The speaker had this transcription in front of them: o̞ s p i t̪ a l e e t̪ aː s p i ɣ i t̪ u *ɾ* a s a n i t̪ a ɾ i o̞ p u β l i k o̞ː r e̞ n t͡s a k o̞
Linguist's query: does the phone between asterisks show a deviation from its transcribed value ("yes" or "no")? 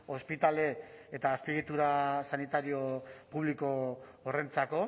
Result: no